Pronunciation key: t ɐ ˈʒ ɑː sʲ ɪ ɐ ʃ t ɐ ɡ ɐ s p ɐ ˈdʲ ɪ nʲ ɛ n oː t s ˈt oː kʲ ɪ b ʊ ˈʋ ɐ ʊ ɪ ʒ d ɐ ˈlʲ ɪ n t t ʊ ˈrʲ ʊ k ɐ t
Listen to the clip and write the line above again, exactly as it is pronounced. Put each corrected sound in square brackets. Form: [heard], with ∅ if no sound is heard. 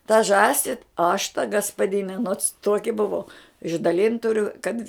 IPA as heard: t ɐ ˈʒ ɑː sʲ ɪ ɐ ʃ t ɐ ɡ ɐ s p ɐ ˈdʲ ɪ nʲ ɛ n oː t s ˈt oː kʲ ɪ b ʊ ˈʋ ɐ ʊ ɪ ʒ d ɐ ˈlʲ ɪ n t t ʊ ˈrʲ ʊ k ɐ t